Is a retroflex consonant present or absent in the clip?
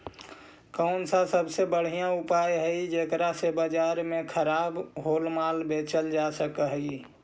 present